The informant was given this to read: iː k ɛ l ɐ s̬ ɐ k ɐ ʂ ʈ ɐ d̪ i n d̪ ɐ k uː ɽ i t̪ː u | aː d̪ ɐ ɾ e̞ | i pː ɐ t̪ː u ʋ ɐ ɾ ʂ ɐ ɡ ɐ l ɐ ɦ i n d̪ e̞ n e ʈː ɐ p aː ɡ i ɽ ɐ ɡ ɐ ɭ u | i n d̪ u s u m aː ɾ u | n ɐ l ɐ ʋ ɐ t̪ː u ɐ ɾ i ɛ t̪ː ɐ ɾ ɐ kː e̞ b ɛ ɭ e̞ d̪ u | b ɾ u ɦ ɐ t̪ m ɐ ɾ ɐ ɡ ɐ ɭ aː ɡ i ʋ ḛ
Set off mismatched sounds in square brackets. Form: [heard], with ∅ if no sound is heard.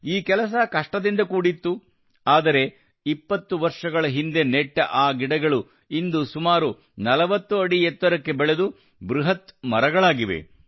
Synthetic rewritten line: iː k ɛ l ɐ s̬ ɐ k ɐ ʂ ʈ ɐ d̪ i n d̪ ɐ k uː ɽ i t̪ː u | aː d̪ ɐ ɾ e̞ | i pː ɐ t̪ː u ʋ ɐ ɾ ʂ ɐ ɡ ɐ [ɭ] ɐ ɦ i n d̪ e̞ n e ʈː ɐ [ʔ] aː ɡ i ɽ ɐ ɡ ɐ ɭ u | i n d̪ u s u m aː ɾ u | n ɐ l ɐ ʋ ɐ t̪ː u ɐ [ɽ] i ɛ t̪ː ɐ ɾ ɐ kː e̞ b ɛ ɭ e̞ d̪ u | b ɾ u ɦ ɐ t̪ m ɐ ɾ ɐ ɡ ɐ ɭ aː ɡ i ʋ ḛ